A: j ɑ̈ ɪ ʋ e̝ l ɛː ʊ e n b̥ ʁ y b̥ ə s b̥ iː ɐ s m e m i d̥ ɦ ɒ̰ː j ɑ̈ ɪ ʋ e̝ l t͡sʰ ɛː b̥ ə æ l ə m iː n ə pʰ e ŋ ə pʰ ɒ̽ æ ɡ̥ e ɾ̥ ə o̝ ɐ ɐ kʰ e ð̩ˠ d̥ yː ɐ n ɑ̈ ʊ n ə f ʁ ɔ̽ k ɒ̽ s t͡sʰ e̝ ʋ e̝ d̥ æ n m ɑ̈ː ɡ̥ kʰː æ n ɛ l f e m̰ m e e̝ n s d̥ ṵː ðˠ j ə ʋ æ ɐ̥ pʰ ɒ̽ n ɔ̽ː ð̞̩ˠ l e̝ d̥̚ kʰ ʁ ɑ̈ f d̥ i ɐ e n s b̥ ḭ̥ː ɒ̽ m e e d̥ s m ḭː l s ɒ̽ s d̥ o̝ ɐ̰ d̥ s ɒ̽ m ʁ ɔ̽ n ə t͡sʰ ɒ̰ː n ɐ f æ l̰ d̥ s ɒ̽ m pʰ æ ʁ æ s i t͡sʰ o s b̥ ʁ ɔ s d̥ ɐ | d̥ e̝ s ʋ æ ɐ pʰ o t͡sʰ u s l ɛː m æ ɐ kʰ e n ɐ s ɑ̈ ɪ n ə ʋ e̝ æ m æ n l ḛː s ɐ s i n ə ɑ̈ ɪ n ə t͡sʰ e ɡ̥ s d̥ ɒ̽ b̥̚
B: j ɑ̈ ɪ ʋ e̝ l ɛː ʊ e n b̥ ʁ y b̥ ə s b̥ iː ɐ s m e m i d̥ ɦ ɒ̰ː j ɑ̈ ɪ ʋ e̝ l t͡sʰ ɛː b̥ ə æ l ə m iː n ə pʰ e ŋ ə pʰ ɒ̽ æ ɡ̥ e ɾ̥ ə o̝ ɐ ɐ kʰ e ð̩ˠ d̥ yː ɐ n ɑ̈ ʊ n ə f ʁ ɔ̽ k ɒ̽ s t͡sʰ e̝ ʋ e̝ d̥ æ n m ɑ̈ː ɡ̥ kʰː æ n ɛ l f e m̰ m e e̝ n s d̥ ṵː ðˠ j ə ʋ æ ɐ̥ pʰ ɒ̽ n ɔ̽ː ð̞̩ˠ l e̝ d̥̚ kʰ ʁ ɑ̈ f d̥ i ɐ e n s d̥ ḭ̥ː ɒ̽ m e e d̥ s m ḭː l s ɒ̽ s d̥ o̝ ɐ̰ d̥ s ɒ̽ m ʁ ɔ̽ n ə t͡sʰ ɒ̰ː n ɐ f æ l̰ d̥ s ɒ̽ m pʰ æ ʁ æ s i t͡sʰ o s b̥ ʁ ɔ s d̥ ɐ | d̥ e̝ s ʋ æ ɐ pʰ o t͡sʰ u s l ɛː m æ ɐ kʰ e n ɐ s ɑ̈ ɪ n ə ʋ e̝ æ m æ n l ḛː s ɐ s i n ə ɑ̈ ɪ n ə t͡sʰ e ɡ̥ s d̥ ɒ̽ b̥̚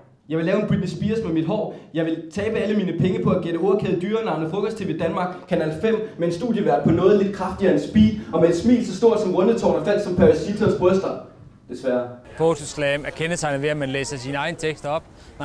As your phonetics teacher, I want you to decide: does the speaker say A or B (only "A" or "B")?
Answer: A